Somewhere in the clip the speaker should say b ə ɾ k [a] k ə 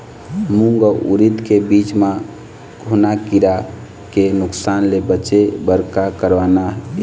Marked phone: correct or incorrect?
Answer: correct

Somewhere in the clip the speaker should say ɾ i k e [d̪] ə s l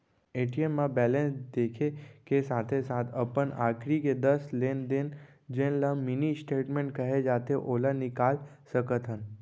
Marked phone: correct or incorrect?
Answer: correct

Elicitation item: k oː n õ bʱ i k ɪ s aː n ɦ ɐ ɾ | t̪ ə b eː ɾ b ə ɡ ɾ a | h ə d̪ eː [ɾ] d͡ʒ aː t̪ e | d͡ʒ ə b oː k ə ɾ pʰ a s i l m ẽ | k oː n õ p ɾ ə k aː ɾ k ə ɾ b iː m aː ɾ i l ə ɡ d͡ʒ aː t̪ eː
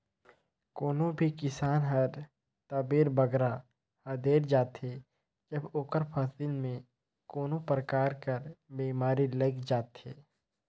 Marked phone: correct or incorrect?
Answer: correct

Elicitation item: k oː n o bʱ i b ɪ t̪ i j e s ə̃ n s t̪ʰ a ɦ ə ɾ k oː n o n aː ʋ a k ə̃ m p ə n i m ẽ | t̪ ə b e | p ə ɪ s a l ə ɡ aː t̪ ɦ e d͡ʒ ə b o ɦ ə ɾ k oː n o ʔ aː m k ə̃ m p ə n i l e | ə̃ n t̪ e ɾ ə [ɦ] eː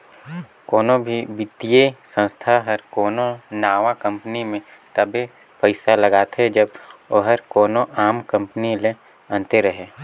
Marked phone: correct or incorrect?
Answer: correct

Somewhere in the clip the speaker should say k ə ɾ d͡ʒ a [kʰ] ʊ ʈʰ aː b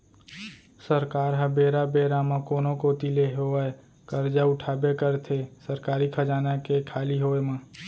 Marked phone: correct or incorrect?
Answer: incorrect: none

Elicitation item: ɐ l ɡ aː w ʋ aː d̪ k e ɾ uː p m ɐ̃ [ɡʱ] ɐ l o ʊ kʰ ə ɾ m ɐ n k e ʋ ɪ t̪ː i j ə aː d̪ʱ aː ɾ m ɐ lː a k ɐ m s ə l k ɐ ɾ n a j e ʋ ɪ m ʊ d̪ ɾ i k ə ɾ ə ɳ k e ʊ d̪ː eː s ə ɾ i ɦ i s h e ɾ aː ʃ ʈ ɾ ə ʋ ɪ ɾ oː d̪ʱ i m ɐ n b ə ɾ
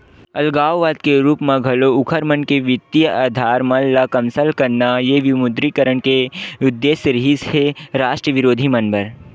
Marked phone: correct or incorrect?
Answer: correct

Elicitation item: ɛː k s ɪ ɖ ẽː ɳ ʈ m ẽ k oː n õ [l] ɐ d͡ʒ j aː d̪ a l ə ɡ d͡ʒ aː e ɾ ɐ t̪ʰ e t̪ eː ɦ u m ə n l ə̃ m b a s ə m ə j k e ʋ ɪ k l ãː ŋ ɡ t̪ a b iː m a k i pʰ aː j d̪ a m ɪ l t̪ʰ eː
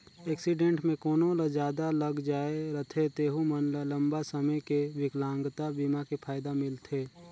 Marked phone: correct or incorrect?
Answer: correct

